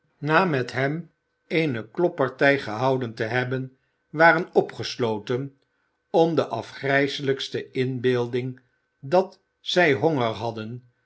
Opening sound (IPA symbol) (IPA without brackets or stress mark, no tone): n